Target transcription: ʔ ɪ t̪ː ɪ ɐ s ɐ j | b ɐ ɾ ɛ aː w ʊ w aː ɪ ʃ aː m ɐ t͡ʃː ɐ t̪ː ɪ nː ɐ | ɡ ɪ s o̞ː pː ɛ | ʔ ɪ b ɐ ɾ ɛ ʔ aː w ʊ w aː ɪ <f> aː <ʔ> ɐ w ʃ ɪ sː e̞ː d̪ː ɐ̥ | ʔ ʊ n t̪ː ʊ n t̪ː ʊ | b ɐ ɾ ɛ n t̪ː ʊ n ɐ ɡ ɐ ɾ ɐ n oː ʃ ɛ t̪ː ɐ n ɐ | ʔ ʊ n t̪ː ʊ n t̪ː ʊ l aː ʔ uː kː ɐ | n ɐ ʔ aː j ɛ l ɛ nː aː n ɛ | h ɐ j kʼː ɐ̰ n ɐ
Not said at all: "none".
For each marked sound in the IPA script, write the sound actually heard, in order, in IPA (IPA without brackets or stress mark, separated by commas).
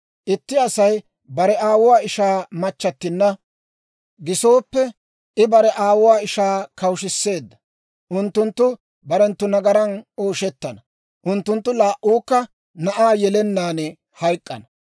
ʃ, k